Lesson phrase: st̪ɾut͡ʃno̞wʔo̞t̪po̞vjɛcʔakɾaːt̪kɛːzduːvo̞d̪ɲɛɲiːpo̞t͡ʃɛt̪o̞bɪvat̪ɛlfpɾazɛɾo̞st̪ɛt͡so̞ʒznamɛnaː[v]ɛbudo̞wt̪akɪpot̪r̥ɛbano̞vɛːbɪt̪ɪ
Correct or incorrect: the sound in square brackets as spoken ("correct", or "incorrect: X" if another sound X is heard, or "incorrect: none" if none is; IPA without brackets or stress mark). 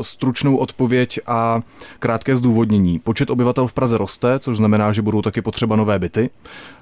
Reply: incorrect: ʒ